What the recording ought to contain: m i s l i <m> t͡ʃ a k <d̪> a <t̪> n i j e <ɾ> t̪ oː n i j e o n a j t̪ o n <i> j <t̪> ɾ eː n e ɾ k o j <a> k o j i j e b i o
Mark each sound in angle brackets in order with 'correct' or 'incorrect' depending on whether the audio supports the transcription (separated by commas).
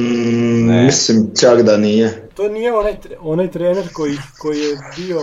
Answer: correct, correct, incorrect, incorrect, incorrect, correct, incorrect